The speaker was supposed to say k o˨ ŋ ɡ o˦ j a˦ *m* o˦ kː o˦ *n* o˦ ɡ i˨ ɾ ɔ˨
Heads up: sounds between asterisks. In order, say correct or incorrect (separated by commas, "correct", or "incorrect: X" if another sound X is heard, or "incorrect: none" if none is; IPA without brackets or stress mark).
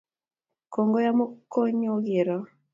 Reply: correct, incorrect: ɲ